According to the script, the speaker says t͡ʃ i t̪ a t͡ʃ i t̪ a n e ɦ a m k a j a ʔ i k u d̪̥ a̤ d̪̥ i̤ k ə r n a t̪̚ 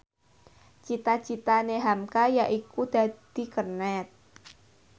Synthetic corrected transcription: t͡ʃ i t̪ a t͡ʃ i t̪ a n e ɦ a m k a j a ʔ i k u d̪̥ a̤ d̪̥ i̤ k ə r n ɛ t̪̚